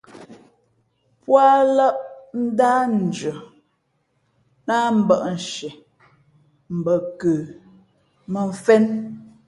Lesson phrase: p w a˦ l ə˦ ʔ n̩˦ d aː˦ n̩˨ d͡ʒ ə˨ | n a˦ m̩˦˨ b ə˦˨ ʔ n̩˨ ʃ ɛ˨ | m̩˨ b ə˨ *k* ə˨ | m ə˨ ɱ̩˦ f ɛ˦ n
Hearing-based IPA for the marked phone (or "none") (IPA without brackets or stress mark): k